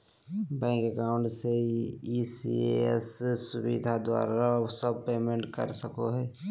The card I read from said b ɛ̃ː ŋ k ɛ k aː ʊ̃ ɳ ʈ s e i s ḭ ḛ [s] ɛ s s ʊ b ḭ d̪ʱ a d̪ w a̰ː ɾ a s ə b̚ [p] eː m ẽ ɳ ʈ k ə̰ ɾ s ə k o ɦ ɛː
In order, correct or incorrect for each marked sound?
incorrect: none, correct

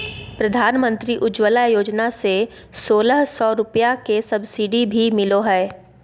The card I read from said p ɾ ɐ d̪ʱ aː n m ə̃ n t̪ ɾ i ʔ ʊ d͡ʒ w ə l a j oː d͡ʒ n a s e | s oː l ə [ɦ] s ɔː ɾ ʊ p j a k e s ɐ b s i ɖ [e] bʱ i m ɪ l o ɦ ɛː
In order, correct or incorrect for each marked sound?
correct, incorrect: i

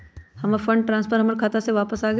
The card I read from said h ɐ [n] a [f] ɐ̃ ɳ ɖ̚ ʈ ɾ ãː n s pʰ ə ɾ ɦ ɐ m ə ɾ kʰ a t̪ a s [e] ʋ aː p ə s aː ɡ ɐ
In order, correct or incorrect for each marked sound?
incorrect: m, correct, correct

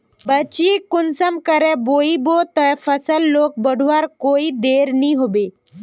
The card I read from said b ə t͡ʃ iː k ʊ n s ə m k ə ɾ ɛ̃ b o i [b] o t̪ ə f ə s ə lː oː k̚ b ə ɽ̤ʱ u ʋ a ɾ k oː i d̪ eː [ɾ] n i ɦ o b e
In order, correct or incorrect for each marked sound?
correct, correct

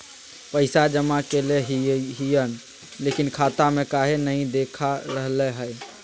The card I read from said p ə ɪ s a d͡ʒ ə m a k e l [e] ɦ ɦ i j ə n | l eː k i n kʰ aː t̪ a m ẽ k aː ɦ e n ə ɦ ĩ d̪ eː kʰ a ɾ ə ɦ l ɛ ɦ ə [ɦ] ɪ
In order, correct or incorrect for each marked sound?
correct, incorrect: none

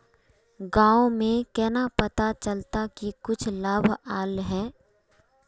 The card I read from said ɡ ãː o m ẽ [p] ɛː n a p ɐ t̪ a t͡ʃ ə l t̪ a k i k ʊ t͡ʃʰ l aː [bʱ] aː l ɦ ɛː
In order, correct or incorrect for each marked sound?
incorrect: k, correct

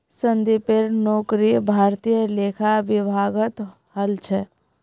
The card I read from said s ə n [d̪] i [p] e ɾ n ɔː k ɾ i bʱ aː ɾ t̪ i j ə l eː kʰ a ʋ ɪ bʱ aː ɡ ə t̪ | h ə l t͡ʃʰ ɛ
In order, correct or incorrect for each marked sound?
correct, correct

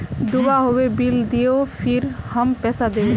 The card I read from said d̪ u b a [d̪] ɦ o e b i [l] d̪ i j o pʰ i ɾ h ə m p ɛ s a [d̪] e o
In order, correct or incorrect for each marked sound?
incorrect: none, correct, correct

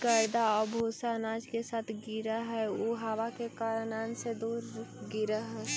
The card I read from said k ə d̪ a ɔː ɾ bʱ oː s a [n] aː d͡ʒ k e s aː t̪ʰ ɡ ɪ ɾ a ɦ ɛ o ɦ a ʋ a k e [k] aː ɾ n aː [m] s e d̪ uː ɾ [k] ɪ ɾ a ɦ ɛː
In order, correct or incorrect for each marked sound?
correct, correct, incorrect: n, incorrect: ɡ

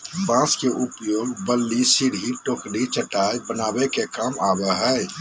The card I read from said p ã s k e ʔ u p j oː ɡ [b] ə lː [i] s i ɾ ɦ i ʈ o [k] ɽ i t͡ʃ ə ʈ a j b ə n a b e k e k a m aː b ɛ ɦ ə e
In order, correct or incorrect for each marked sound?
correct, correct, correct

